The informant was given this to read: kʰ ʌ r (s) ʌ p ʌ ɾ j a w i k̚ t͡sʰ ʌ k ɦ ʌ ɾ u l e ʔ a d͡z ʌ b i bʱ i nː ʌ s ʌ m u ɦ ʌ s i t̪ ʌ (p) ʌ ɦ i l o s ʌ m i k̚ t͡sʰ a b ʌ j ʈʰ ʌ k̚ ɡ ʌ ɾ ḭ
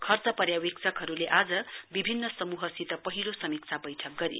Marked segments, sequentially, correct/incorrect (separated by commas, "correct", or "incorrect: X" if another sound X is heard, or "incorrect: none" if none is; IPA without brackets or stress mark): incorrect: t͡s, correct